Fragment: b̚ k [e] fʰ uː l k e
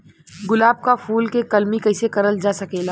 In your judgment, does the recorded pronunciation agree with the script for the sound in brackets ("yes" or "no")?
no